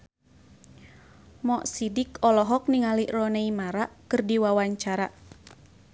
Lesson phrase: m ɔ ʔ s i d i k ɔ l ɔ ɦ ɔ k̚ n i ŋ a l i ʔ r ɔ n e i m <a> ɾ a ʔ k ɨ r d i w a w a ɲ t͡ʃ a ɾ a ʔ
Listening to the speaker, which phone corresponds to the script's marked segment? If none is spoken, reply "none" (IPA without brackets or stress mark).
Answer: a